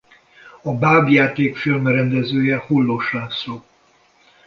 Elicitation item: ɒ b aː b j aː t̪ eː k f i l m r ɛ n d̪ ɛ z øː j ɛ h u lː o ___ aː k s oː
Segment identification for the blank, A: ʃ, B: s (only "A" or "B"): A